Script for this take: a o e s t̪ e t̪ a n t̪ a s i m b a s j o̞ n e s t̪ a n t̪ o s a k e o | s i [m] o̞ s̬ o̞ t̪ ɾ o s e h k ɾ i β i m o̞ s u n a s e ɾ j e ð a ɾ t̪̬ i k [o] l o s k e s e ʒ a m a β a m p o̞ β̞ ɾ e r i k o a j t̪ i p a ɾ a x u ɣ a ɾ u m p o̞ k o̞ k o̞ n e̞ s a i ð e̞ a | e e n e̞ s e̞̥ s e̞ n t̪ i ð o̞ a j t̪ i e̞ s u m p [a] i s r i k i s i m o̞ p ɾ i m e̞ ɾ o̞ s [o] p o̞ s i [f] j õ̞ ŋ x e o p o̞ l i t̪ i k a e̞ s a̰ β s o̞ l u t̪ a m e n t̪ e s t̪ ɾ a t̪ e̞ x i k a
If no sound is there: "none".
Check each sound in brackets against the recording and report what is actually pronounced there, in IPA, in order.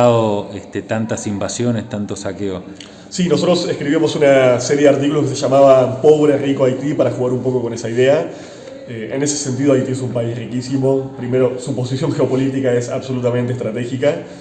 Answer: n, u, a, u, s

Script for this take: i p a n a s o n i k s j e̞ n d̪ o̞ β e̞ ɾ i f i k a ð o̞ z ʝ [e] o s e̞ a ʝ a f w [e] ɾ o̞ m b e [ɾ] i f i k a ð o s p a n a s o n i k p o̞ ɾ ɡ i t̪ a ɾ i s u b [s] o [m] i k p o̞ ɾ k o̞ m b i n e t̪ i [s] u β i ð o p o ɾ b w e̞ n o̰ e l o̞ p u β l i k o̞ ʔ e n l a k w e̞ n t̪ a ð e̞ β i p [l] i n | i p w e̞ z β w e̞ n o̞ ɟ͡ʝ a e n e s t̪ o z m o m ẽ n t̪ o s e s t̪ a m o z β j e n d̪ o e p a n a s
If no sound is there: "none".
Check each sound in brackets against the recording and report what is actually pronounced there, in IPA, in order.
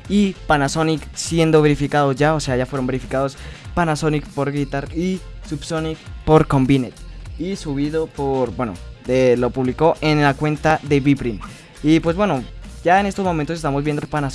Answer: a, e, ɾ, s, n, s, ɾ

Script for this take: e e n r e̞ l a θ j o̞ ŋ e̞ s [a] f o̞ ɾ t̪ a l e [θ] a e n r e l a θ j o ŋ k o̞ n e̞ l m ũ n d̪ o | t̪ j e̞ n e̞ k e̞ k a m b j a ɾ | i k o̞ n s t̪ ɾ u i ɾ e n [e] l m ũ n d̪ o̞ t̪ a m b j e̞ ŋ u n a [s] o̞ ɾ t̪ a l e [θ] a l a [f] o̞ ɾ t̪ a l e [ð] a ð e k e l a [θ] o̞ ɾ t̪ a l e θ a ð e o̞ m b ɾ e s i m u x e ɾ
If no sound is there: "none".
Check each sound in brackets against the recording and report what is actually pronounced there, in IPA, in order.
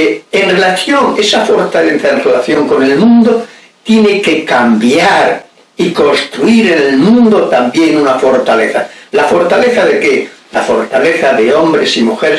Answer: a, θ, e, f, θ, f, θ, f

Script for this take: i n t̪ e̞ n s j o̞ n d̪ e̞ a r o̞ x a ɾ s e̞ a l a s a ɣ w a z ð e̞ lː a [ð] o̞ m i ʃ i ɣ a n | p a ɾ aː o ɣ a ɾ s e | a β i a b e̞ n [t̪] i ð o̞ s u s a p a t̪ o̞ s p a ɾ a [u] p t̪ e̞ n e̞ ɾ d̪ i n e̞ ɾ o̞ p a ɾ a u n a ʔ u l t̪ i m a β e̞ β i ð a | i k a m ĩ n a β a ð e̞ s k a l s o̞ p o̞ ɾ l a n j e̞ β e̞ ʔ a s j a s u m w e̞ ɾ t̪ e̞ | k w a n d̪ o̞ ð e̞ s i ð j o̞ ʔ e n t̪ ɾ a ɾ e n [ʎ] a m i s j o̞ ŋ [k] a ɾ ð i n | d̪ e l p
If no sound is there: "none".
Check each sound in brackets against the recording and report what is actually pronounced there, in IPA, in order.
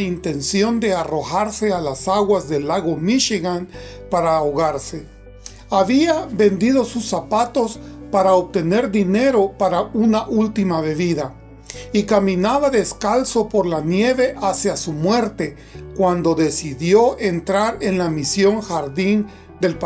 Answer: ɣ, d̪, o, l, x

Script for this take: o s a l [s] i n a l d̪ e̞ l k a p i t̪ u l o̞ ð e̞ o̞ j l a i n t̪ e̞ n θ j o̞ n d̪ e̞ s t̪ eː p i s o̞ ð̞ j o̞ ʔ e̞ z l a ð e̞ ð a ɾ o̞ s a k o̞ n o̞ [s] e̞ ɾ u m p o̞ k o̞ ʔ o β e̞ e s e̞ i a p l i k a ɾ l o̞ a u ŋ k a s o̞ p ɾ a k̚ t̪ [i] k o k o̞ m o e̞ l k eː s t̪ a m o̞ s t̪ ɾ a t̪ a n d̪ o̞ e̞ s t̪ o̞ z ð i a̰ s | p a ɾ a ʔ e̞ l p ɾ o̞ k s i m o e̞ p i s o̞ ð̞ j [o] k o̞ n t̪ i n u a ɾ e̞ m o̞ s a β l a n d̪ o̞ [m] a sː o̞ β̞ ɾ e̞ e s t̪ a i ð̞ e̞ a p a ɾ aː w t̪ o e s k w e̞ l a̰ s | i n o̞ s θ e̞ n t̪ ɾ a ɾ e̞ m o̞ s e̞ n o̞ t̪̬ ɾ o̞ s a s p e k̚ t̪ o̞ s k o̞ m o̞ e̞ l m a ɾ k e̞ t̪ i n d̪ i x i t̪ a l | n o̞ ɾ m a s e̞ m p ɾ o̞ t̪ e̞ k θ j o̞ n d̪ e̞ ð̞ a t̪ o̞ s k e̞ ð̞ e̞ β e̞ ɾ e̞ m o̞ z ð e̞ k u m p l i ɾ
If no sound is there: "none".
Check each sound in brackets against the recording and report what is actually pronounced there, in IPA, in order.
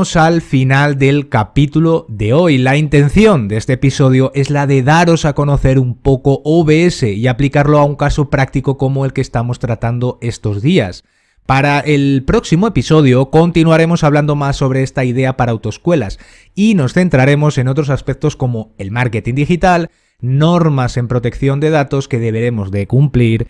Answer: f, θ, i, o, m

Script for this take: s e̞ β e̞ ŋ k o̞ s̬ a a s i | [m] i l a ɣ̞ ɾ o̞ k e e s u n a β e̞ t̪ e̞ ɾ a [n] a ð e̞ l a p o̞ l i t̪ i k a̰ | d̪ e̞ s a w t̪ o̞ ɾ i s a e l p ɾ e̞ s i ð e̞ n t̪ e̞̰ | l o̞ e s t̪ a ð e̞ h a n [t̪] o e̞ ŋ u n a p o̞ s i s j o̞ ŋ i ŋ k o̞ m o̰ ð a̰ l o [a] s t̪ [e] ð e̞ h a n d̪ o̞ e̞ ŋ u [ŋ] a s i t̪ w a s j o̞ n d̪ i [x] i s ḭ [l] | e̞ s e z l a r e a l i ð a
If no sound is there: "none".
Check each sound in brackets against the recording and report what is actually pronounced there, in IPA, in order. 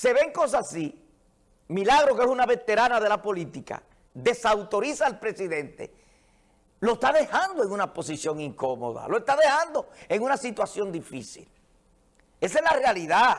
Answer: m, n, d̪, e, a, n, f, l

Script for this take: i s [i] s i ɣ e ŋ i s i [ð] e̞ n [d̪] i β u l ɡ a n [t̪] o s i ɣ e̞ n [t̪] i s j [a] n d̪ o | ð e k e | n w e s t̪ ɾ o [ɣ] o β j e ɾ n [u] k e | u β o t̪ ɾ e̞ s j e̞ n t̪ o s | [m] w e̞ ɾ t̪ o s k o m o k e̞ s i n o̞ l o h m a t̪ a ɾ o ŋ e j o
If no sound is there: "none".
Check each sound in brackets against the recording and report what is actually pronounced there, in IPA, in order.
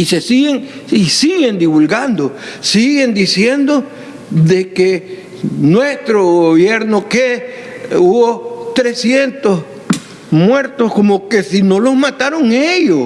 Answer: e, ɣ, d̪, d̪, d̪, e, ɣ, o, m

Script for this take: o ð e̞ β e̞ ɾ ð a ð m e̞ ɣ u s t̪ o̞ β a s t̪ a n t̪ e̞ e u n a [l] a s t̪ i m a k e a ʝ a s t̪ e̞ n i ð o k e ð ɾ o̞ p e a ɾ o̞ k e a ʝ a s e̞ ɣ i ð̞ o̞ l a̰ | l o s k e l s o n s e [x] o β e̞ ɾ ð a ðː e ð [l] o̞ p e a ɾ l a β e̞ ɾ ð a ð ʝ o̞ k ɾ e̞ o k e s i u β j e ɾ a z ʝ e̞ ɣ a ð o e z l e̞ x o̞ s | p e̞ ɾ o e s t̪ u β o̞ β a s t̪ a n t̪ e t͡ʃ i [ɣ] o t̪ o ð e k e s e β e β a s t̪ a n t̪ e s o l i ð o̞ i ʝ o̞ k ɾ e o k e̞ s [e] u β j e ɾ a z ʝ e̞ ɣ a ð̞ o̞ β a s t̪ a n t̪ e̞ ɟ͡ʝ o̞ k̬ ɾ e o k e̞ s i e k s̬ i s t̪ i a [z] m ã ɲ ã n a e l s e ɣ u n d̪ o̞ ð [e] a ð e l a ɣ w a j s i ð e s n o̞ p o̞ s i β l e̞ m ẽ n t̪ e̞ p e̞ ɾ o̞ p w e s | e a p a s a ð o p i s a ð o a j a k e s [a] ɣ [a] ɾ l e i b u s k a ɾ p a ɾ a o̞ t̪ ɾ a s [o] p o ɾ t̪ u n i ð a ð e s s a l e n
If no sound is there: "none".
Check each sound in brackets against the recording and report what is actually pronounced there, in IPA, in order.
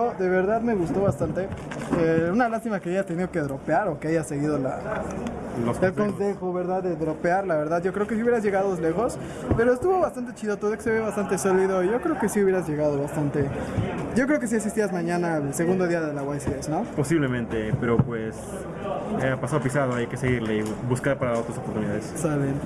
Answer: l, x, ɾ, ð, i, z, i, e, i, o

